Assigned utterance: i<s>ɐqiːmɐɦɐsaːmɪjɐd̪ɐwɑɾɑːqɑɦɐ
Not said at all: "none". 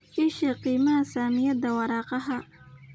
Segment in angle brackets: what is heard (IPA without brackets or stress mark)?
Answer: ʃ